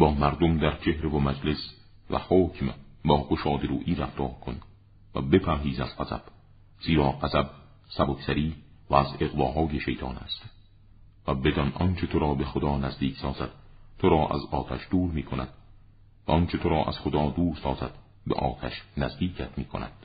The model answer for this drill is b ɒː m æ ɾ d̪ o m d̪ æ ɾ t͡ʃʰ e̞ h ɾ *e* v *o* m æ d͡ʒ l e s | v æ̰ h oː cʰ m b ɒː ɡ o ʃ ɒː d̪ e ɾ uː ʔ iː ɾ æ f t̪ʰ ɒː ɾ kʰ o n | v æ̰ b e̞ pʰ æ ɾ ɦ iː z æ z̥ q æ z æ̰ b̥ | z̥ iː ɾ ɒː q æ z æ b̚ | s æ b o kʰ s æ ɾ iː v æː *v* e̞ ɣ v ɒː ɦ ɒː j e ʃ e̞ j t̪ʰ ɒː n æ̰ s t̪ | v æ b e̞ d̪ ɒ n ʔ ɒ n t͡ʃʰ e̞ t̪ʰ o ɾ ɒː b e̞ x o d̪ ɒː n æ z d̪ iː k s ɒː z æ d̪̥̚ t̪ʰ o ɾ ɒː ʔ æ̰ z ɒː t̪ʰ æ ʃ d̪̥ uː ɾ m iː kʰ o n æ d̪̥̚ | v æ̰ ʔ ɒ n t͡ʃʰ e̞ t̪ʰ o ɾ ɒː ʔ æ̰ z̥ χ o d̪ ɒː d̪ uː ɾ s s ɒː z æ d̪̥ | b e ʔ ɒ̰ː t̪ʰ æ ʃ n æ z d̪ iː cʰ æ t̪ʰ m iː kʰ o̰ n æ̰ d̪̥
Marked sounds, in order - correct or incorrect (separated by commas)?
correct, correct, incorrect